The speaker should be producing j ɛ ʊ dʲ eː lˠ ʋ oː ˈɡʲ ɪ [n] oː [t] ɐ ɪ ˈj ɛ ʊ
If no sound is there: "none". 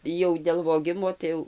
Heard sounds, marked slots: m, t

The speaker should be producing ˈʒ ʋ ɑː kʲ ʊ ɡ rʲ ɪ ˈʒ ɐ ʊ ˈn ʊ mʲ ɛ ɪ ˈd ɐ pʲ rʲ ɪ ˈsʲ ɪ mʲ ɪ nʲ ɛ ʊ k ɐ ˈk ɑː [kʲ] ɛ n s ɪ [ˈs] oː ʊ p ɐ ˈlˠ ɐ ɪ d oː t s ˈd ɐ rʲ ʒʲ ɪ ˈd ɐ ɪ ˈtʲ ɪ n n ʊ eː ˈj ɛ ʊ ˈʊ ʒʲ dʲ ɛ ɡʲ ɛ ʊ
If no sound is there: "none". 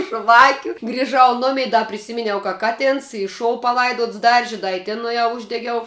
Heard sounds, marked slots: tʲ, ʃ

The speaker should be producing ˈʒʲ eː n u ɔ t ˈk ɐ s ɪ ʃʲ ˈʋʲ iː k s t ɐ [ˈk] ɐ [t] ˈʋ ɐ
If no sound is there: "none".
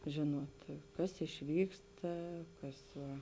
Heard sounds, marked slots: k, s

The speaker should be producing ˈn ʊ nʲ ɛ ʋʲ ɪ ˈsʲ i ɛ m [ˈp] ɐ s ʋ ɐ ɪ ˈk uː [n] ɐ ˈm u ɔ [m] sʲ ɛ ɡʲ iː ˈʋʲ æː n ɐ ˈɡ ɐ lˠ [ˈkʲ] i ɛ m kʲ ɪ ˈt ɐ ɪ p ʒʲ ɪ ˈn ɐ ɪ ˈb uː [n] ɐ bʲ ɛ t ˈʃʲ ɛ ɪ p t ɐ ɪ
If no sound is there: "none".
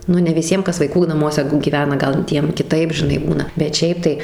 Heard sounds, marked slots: k, n, none, tʲ, n

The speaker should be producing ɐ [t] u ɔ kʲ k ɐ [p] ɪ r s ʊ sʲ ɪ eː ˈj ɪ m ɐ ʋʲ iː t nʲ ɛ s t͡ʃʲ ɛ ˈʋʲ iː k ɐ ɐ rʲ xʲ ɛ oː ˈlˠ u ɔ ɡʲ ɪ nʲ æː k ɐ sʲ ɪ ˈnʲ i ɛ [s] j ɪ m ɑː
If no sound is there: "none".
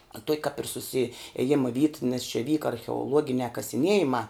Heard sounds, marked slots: t, p, none

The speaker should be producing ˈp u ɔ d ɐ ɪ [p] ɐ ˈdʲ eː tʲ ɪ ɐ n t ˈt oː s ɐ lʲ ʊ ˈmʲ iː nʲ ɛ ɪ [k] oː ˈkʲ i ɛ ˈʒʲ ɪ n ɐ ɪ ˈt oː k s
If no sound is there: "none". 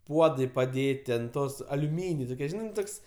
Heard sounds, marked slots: p, t

